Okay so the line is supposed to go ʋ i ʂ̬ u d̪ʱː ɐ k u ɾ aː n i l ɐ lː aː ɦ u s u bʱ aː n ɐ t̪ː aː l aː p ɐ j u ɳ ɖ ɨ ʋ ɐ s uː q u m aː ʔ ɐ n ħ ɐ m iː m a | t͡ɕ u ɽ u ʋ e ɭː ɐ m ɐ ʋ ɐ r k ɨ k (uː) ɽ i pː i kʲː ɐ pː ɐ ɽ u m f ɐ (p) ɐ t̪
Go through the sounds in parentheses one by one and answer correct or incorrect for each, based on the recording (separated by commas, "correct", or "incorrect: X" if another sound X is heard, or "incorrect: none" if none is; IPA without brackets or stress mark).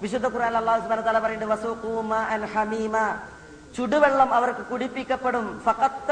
incorrect: u, incorrect: q